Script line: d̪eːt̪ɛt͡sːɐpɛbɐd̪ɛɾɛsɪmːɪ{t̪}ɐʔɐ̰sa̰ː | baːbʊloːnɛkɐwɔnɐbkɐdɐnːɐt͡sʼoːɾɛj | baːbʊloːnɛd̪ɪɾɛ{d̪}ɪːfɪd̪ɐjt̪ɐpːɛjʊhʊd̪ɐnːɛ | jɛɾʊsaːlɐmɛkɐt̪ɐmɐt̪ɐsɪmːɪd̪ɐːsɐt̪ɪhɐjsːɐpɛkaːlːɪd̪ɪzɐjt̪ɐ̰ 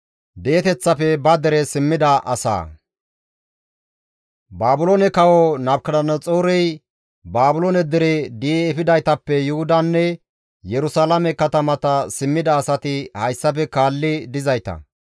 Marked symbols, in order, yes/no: no, yes

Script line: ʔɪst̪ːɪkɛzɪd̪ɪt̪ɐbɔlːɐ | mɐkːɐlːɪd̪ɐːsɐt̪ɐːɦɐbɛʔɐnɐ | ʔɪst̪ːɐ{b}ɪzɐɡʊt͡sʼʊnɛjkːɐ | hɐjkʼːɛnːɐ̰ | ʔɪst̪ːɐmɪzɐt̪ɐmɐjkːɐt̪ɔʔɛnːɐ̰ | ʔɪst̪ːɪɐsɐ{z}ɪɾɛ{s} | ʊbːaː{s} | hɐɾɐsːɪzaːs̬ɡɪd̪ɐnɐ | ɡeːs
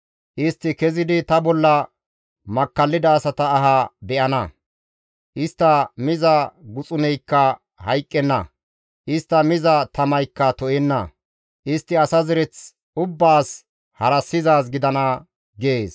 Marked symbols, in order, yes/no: no, yes, no, yes

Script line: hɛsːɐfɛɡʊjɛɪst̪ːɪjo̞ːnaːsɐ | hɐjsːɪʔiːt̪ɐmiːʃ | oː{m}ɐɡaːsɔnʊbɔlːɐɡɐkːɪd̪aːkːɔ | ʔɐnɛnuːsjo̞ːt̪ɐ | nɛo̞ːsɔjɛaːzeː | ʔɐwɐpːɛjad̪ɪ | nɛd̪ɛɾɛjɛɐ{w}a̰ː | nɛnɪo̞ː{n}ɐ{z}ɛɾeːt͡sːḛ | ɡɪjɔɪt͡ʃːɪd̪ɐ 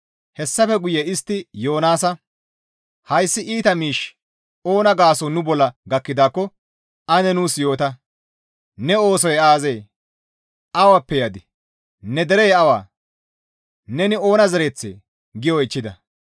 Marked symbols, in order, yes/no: no, yes, yes, yes

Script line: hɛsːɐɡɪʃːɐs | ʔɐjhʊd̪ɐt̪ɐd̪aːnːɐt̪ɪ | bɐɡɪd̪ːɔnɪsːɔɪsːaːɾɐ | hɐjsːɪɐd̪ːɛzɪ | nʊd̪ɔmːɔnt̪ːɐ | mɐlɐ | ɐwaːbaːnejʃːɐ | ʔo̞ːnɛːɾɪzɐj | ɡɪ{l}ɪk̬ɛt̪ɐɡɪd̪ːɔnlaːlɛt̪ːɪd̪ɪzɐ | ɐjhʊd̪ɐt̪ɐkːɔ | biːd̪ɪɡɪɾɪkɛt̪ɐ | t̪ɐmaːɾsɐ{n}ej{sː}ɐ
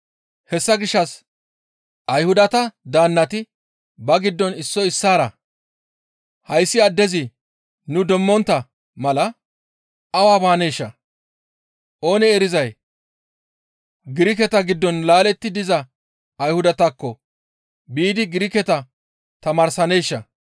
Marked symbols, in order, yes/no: no, yes, no

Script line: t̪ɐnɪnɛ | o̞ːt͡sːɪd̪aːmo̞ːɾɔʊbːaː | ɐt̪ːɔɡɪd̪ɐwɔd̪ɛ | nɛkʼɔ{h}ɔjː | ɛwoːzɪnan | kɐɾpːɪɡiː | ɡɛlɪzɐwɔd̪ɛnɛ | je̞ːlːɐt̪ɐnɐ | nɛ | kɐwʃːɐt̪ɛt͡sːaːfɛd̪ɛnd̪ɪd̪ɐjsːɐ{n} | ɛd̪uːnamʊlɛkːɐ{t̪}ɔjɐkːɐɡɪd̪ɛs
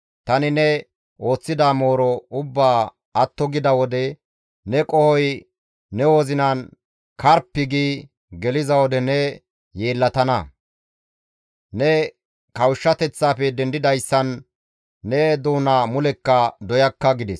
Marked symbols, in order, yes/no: yes, no, no

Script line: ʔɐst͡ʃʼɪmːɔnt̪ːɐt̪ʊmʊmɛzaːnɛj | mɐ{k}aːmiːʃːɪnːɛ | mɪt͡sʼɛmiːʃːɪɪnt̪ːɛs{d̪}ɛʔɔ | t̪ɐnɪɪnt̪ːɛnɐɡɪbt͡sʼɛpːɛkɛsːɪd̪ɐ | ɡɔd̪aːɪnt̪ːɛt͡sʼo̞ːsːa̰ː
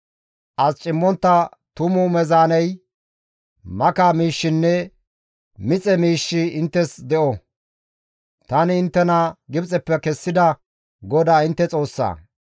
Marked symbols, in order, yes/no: yes, yes

